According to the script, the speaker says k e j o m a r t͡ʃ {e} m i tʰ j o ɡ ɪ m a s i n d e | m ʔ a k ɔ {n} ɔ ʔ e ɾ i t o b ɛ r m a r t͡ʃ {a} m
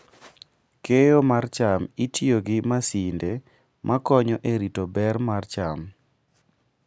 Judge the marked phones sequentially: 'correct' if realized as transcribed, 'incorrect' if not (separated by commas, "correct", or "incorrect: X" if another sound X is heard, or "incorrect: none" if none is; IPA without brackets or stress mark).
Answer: incorrect: a, incorrect: ɲ, correct